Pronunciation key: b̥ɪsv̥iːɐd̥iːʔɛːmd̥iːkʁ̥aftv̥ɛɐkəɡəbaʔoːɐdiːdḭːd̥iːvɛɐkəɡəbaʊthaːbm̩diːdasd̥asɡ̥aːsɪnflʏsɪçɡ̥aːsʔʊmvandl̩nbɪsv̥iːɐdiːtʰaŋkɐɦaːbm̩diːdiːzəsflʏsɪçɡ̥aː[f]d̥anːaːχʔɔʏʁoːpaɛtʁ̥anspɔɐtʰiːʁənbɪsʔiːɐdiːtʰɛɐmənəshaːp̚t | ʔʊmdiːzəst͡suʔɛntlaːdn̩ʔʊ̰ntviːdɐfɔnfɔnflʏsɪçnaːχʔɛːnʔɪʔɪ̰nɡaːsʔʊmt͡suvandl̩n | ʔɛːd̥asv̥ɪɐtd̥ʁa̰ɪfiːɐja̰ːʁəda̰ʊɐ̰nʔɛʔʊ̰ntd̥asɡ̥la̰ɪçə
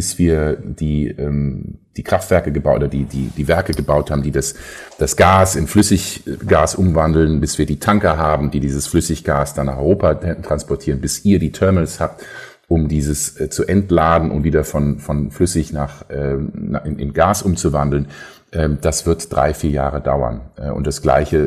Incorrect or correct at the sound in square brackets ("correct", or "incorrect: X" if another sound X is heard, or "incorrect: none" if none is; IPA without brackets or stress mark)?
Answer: incorrect: s